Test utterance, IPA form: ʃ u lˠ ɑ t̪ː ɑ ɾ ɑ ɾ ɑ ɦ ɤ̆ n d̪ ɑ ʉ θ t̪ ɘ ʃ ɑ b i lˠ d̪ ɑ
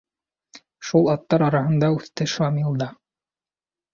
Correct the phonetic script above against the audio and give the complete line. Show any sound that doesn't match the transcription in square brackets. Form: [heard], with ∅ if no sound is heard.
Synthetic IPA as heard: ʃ u lˠ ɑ t̪ː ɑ ɾ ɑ ɾ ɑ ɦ ɤ̆ n d̪ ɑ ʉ θ t̪ ɘ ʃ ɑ [m] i lˠ d̪ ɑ